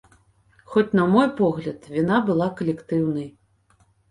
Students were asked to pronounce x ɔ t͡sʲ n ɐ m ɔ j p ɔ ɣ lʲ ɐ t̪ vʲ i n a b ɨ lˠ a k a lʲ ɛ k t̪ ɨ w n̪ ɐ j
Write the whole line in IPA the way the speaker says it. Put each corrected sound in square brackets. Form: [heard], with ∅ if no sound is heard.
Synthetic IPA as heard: x ɔ t͡sʲ n ɐ m ɔ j p ɔ ɣ lʲ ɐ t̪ vʲ i n a b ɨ lˠ a k [ɐ] lʲ ɛ k t̪ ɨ w n̪ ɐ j